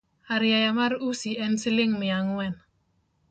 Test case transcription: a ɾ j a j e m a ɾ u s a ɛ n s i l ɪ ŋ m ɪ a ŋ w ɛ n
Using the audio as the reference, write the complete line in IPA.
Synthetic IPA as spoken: a ɾ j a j a m a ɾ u s i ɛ n s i l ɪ ŋ m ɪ a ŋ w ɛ n